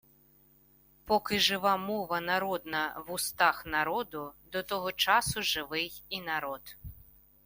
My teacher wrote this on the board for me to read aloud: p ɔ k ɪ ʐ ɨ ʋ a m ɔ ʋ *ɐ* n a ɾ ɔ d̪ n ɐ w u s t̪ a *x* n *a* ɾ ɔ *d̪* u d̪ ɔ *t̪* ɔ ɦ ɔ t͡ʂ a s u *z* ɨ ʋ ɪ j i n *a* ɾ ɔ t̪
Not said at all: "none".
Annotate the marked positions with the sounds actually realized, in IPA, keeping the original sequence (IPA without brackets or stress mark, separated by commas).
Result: ɐ, x, a, d̪, t̪, ʐ, a